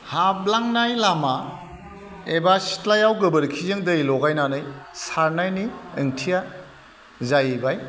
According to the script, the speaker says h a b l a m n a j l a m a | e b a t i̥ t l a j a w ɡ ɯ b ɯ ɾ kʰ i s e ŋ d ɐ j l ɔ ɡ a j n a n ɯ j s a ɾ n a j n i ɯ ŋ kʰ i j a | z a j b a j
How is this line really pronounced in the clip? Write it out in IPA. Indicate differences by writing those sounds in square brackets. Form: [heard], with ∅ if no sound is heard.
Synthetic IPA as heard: h a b l a [ŋ] n a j l a m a | e b a [s] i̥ t l a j a w ɡ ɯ b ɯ ɾ kʰ i [z] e ŋ d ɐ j l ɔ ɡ a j n a n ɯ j s a ɾ n a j n i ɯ ŋ [tʰ] i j a | z a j b a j